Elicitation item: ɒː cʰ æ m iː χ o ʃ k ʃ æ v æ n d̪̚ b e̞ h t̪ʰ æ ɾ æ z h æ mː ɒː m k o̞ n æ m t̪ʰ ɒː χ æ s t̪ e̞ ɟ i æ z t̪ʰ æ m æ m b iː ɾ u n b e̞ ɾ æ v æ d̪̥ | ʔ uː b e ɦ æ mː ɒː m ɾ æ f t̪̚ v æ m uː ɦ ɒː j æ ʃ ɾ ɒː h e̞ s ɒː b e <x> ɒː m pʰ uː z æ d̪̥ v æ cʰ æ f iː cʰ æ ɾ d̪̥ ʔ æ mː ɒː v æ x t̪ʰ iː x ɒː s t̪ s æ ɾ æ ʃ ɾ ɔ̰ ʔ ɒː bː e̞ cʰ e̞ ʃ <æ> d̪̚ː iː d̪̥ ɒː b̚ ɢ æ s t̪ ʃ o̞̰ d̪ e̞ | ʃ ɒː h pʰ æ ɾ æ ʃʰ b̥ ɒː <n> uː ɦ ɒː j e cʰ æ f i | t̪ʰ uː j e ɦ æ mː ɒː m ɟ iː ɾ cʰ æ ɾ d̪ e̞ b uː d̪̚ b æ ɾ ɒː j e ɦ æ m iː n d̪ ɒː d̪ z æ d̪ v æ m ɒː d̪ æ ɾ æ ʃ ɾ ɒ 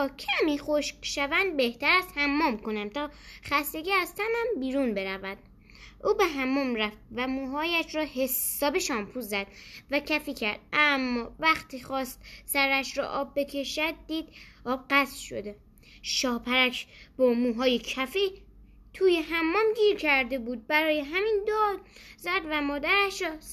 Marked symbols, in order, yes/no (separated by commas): no, yes, no